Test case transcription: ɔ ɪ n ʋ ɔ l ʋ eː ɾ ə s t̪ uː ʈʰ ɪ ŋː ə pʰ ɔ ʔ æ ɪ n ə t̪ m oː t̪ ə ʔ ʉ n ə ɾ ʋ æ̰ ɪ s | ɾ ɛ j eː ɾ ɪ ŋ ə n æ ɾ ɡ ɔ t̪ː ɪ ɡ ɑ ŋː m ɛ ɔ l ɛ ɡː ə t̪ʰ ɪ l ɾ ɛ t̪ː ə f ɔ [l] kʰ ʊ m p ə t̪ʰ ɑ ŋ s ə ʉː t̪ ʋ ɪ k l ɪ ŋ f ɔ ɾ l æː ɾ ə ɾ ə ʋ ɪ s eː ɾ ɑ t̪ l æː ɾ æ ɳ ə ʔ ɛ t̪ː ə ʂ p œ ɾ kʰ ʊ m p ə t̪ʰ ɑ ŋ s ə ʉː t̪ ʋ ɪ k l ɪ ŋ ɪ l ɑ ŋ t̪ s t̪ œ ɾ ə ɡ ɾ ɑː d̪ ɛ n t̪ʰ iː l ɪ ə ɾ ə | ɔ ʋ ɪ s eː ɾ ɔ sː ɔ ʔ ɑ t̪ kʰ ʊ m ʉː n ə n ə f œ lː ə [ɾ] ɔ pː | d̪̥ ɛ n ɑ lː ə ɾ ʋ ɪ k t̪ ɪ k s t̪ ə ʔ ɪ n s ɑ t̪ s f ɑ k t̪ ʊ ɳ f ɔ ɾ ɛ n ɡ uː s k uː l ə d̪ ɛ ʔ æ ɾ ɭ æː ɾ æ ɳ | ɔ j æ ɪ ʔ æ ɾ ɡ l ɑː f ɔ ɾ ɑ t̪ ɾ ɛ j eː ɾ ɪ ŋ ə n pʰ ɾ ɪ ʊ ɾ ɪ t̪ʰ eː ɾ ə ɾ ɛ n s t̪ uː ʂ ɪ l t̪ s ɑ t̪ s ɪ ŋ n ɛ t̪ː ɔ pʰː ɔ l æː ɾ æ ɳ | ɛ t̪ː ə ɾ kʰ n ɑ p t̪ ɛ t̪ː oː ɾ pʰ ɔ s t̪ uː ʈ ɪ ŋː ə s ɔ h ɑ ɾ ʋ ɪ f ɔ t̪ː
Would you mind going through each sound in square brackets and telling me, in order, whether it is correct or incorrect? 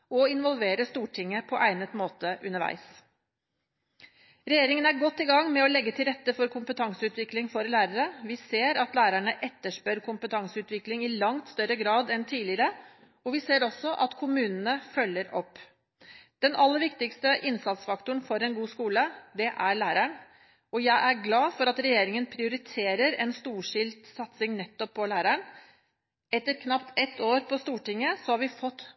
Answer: incorrect: ɾ, correct

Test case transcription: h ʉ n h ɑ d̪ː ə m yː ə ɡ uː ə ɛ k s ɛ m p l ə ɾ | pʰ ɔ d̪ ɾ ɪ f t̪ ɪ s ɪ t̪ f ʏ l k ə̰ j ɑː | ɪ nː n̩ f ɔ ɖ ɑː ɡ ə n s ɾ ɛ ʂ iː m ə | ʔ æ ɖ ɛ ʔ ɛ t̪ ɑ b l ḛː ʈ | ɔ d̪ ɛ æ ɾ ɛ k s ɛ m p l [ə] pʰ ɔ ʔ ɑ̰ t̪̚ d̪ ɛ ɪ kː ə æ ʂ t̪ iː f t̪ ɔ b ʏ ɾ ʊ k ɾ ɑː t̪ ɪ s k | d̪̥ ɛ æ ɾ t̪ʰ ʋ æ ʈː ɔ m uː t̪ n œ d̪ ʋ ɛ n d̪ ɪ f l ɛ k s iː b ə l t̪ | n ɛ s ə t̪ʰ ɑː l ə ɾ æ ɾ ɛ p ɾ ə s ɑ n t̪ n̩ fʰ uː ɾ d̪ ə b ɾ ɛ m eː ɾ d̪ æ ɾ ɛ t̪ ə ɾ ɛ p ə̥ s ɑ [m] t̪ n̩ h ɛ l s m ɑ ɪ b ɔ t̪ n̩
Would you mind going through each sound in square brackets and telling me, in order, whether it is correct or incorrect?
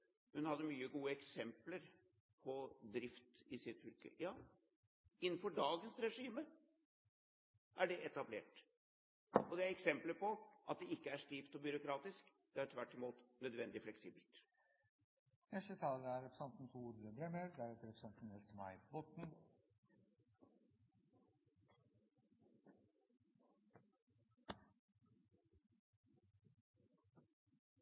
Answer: correct, incorrect: n

